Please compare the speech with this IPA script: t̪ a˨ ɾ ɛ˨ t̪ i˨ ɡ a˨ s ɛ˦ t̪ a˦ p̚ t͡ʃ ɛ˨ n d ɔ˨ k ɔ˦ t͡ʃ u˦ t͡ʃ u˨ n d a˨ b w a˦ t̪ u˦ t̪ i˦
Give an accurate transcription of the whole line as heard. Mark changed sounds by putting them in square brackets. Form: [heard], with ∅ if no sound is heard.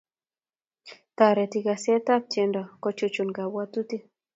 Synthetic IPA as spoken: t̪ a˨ ɾ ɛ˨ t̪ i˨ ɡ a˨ s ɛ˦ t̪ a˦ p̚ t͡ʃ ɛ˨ n d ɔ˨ k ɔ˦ t͡ʃ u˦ t͡ʃ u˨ n [ɡ] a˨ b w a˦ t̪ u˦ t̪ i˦